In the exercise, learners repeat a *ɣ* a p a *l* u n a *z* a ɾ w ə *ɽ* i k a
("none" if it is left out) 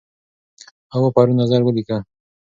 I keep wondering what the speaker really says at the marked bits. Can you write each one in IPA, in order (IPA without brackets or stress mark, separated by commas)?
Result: w, ɾ, z, l